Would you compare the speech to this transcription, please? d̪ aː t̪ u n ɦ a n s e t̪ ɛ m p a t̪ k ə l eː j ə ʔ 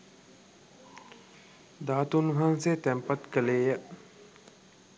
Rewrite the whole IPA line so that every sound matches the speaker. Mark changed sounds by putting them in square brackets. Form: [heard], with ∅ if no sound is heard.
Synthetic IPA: d̪ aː t̪ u n ɦ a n s e t̪ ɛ m p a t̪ k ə l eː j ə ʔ